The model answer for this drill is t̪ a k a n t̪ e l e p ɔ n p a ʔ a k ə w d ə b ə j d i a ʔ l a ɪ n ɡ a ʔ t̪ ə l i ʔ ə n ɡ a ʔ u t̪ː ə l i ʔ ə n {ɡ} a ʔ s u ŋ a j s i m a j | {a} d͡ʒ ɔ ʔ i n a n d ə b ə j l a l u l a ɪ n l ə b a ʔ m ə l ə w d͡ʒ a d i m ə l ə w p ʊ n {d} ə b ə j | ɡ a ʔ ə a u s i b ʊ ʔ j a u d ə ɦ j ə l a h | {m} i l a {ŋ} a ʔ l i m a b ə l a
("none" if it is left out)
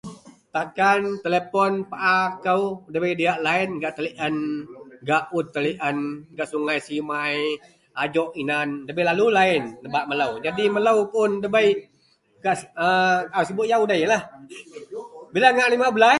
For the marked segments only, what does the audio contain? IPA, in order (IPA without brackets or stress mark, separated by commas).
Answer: ɡ, a, d, b, ŋ